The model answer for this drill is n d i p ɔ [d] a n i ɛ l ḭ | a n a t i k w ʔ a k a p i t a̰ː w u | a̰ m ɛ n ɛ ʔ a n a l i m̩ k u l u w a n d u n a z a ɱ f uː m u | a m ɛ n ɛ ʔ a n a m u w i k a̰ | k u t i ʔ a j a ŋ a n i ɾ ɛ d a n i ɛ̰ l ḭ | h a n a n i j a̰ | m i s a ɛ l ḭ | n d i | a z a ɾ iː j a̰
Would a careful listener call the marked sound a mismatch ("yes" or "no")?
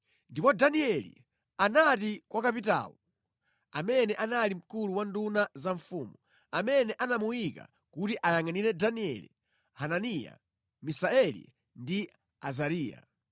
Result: no